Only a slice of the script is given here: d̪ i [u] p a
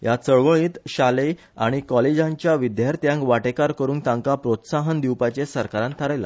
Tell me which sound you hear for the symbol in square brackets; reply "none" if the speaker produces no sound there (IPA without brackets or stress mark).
w